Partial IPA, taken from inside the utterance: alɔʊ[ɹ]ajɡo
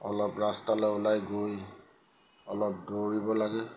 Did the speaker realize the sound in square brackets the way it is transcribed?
no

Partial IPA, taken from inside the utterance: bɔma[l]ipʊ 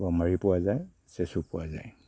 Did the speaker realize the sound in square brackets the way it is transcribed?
no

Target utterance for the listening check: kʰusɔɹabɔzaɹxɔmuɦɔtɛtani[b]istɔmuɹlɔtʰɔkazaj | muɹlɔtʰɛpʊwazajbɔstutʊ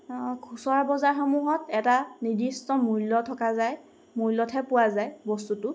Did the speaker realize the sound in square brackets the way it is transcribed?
no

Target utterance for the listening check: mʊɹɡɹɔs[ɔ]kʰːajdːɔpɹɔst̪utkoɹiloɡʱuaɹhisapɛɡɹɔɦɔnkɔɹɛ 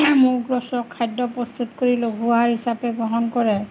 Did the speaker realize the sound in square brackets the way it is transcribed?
yes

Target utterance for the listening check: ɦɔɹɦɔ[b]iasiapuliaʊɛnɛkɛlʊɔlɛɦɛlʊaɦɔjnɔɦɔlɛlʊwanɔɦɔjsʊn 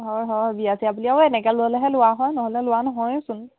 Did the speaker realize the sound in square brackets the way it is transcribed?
yes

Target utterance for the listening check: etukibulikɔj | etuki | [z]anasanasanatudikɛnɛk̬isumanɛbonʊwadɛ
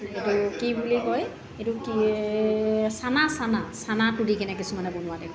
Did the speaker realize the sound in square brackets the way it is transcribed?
no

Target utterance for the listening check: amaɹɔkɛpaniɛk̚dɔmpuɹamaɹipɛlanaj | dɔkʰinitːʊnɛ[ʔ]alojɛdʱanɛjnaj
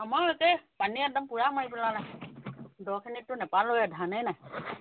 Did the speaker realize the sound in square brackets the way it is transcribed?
no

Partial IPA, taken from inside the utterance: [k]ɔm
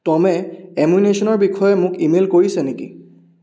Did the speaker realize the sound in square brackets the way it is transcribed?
no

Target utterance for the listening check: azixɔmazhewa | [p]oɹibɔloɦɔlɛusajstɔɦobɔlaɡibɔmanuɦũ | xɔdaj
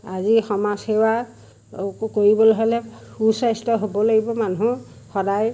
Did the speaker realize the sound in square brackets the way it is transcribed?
no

